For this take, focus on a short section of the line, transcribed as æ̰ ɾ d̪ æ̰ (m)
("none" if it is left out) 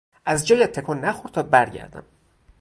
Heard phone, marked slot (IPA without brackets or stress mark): m